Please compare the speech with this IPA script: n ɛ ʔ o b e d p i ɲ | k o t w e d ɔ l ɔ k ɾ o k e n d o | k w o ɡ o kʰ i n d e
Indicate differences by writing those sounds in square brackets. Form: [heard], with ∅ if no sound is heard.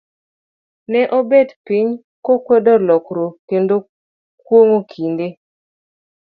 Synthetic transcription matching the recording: n ɛ ʔ o b e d p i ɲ | k o [k] w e d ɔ l ɔ k ɾ o k e n d o | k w o [ŋ] o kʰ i n d e